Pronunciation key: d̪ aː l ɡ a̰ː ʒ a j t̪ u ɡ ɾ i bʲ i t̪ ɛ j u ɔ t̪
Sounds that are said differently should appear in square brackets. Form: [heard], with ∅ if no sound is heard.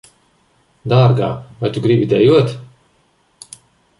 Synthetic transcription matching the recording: d̪ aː [ɾ] ɡ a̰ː [v] a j t̪ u ɡ ɾ i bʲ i [d̪] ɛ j u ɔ t̪